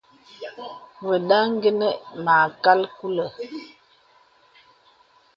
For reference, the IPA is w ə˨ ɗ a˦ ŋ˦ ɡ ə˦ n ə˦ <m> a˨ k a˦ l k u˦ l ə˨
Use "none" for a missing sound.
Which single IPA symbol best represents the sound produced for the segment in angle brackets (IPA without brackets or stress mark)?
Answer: m